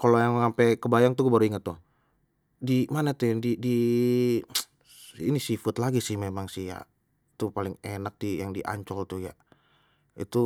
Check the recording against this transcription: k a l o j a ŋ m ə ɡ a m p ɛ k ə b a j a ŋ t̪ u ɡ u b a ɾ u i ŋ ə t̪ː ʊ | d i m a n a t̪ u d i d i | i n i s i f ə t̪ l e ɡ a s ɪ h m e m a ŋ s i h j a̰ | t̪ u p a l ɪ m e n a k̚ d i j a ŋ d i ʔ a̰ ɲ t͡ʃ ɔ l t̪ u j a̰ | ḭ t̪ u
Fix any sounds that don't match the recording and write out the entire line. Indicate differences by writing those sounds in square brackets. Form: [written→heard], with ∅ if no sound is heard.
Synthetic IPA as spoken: k a l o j a ŋ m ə [ɡ→ŋ] a m p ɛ k ə b a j a ŋ t̪ u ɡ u b a ɾ u i ŋ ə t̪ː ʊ | d i m a n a t̪ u d i d i | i n i s i f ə t̪ l [e→a] ɡ [a→i] s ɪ h m e m a ŋ s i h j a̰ | t̪ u p a l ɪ [m→ŋ] e n a k̚ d i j a ŋ d i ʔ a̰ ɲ t͡ʃ ɔ l t̪ u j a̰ | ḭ t̪ u